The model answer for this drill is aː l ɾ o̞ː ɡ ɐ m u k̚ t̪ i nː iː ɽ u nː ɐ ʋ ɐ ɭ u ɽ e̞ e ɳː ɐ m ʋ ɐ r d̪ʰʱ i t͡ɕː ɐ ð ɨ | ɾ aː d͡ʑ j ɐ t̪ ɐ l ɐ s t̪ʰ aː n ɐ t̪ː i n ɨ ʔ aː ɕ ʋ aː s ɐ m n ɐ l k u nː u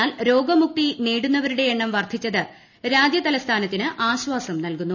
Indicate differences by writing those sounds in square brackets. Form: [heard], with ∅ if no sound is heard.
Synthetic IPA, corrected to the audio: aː l ɾ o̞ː ɡ ɐ m u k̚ t̪ i [n] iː ɽ u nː ɐ ʋ ɐ [ɾ] u ɽ e̞ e ɳː ɐ m ʋ ɐ r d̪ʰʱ i t͡ɕː ɐ ð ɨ | ɾ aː d͡ʑ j ɐ t̪ ɐ l ɐ s t̪ʰ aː n ɐ t̪ː i n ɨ ʔ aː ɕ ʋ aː s ɐ m n ɐ l k u nː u

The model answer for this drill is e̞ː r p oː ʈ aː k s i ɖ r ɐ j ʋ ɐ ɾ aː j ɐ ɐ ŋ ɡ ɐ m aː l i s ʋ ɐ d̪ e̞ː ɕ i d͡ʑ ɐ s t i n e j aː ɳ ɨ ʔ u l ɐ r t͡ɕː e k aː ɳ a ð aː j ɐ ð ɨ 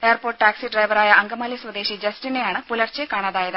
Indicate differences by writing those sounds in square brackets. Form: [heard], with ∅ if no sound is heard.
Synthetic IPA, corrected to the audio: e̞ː r p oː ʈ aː k s i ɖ r ɐ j ʋ ɐ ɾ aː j ɐ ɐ ŋ ɡ ɐ m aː l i s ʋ ɐ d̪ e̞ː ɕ i d͡ʑ ɐ s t i n e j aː ɳ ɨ [p] u l ɐ r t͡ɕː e k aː ɳ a ð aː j ɐ ð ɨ

